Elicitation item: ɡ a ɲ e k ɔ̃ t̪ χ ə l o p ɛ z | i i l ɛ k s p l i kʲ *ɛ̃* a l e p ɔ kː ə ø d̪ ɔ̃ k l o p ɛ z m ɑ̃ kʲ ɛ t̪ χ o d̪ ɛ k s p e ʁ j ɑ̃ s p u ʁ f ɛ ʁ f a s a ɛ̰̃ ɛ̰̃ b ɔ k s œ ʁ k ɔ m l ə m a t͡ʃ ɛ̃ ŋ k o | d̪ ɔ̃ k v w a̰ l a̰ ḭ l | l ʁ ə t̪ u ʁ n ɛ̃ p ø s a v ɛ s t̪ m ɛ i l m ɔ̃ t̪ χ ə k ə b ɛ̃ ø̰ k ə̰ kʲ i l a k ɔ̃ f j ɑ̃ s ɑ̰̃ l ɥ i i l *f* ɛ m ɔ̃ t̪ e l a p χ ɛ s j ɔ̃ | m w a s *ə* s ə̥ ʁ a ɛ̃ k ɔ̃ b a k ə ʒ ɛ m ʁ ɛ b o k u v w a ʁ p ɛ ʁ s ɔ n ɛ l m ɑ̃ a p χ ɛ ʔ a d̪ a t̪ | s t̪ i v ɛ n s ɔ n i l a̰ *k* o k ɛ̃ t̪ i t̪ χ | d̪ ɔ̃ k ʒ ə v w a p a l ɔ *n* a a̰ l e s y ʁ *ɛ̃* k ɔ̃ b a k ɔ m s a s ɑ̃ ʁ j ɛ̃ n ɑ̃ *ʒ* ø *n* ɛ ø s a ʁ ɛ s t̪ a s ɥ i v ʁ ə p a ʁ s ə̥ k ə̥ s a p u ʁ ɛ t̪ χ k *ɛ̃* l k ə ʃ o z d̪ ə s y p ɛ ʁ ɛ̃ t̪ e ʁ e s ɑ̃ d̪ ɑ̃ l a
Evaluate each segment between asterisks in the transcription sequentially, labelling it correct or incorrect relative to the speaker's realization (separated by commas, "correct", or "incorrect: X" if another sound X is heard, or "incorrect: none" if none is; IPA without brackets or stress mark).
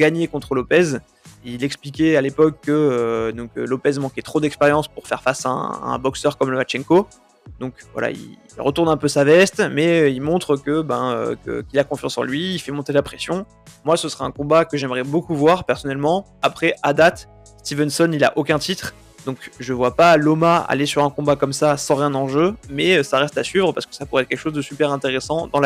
incorrect: ɛ, correct, correct, incorrect: ʔ, incorrect: m, correct, correct, incorrect: m, incorrect: ɛ